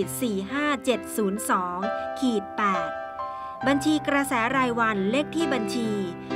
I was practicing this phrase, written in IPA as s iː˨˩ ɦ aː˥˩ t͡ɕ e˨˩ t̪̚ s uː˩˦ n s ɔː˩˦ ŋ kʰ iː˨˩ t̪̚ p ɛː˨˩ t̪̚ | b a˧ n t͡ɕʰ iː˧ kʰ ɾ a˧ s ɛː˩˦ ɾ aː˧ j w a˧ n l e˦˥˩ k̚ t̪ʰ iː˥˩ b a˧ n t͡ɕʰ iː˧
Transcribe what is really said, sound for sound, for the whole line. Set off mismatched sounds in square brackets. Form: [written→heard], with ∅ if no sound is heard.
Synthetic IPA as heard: s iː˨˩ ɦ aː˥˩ t͡ɕ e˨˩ t̪̚ s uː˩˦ n s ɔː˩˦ ŋ kʰ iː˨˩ t̪̚ p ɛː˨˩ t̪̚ | b a˧ n t͡ɕʰ iː˧ [kʰ→k] ɾ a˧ s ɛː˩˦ ɾ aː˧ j w a˧ n l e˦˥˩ k̚ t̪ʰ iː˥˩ b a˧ n t͡ɕʰ iː˧